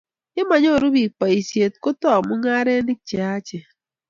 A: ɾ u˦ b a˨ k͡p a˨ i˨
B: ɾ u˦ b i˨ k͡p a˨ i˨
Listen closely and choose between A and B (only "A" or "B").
B